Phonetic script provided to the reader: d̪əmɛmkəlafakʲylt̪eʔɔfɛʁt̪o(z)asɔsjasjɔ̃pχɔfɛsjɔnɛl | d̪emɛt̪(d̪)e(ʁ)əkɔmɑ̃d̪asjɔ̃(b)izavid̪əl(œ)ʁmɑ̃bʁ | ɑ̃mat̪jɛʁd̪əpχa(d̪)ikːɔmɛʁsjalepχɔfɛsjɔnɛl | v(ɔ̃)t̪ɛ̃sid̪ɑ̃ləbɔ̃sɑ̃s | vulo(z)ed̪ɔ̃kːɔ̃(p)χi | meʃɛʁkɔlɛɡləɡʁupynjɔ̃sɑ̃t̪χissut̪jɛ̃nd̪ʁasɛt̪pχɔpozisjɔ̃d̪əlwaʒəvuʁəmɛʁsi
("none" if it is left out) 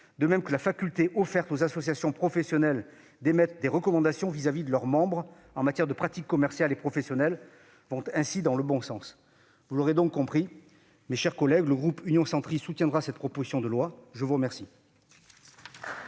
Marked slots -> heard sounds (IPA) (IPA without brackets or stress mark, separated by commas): z, d̪, ʁ, v, œ, t̪, ɔ̃, ʁ, p